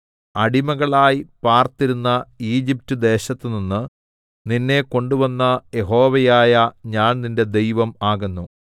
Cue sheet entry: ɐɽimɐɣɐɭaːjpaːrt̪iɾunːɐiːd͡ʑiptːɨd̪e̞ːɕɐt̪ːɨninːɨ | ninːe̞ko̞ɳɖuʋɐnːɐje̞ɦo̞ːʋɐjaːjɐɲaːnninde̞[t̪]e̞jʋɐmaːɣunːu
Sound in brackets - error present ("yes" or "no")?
yes